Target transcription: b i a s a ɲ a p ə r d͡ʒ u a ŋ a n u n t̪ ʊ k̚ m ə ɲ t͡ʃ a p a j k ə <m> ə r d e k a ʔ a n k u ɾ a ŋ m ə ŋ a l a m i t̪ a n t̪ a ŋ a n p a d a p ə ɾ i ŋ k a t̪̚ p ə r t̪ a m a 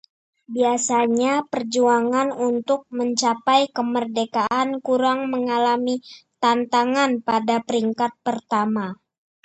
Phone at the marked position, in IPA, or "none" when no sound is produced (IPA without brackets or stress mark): m